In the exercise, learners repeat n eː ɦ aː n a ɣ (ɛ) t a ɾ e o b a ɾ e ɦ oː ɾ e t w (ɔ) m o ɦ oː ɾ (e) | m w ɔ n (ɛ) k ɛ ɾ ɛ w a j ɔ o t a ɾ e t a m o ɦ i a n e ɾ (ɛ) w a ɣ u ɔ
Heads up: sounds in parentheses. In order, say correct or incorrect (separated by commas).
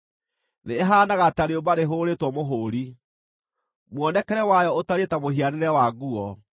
incorrect, correct, incorrect, correct, correct